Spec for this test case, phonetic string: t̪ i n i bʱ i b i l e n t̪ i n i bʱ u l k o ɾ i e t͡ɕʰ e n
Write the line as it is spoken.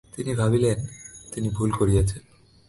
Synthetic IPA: t̪ i n i bʱ a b i l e n t̪ i n i bʱ u l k o ɾ i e t͡ɕʰ e n